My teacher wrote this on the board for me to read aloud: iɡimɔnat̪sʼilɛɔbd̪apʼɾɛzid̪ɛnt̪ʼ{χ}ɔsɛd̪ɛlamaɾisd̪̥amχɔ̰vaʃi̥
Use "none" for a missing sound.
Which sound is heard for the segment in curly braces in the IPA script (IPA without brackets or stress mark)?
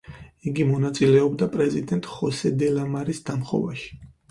χ